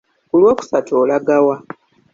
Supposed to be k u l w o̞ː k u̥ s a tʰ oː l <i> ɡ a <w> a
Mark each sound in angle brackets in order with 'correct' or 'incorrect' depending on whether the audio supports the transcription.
incorrect: a, correct

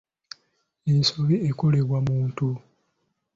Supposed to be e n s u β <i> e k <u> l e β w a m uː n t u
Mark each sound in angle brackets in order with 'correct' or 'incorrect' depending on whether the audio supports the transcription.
correct, incorrect: o

